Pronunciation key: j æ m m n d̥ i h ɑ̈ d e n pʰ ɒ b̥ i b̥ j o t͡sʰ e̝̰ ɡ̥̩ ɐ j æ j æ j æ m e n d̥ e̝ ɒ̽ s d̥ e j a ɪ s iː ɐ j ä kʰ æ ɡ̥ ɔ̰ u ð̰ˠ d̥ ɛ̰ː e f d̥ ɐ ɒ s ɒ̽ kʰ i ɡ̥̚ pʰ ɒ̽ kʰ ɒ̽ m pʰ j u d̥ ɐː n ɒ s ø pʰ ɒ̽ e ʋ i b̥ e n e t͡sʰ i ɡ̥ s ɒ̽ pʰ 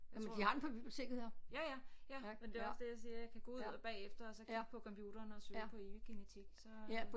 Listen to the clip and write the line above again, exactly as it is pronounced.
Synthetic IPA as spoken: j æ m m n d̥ i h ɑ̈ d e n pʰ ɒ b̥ i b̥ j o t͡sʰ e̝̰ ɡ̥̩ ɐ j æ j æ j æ m e n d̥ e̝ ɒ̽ s d̥ e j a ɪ s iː ɐ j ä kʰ æ ɡ̥ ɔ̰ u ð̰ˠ b̥ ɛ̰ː e f d̥ ɐ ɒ s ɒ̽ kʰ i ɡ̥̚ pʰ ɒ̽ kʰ ɒ̽ m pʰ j u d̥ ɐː n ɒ s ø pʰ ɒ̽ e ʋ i ɡ̥ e n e t͡sʰ i ɡ̥ s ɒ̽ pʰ